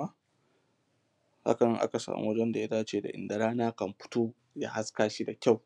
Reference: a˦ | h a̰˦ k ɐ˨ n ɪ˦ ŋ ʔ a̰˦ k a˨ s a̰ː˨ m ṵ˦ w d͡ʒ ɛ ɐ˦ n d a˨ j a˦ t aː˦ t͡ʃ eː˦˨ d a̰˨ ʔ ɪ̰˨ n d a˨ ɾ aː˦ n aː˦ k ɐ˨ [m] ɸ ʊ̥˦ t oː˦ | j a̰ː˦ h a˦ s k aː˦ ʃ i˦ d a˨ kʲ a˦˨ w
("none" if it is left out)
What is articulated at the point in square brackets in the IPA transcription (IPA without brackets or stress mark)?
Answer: m